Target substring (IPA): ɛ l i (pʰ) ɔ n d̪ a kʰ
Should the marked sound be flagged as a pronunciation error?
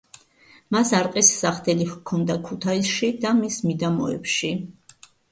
yes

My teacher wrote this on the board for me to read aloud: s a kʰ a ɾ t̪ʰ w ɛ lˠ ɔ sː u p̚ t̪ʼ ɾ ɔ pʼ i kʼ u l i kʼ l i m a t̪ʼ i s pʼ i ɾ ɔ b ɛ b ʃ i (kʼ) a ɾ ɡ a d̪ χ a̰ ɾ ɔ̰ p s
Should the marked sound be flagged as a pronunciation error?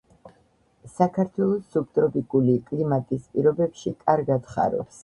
no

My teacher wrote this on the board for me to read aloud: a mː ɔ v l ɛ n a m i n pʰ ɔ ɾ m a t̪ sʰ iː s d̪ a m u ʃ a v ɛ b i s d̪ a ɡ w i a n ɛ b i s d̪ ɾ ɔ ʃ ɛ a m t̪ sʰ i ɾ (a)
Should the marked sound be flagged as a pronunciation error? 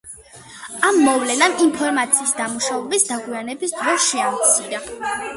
no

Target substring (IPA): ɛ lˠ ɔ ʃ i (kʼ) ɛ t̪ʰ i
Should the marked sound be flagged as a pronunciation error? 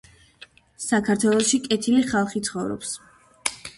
no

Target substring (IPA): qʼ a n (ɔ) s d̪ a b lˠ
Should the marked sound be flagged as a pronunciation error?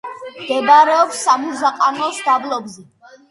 no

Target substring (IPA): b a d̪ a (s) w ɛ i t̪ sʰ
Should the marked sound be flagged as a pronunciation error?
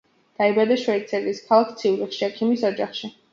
yes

